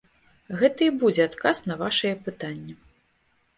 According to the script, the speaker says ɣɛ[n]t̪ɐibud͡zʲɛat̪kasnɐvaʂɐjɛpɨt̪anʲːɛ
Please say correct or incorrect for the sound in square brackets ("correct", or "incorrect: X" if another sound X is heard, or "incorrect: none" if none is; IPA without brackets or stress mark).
incorrect: none